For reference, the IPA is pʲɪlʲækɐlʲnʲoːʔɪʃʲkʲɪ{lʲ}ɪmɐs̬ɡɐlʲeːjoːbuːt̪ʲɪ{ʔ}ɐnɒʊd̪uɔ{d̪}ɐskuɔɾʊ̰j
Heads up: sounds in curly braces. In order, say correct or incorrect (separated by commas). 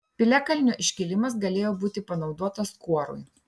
correct, incorrect, incorrect